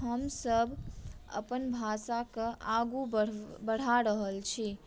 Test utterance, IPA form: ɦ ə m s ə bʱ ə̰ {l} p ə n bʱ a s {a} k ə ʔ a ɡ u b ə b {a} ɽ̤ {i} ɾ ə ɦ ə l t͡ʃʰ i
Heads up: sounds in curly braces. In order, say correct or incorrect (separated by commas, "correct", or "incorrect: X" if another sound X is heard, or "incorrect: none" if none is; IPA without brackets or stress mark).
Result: incorrect: none, correct, incorrect: ə, incorrect: a